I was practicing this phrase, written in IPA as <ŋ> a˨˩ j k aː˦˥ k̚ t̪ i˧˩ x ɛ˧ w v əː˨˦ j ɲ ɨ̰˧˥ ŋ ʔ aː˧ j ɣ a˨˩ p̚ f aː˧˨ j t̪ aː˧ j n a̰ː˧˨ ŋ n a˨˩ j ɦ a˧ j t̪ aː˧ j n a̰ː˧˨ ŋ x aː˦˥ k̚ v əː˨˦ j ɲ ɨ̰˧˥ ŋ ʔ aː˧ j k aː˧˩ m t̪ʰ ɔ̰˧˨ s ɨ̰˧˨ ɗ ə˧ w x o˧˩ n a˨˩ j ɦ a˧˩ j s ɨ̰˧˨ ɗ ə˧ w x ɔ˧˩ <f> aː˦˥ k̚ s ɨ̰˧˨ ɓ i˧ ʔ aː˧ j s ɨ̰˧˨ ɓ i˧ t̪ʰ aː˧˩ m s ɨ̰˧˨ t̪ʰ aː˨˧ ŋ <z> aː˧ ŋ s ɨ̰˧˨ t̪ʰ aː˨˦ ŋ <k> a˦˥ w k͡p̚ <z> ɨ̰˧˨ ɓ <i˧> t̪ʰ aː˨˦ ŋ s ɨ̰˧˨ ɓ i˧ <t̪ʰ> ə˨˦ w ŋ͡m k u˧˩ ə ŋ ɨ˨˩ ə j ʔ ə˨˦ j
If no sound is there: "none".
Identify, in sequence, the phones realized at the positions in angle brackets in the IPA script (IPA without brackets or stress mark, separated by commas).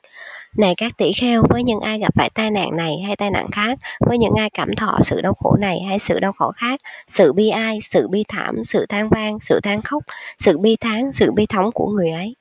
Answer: n, x, v, x, s, i˧, t̪ʰ